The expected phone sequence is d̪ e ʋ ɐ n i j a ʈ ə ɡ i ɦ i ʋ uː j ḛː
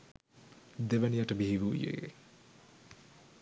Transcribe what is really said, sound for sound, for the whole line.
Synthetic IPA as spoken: d̪ e ʋ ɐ n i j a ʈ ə b i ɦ i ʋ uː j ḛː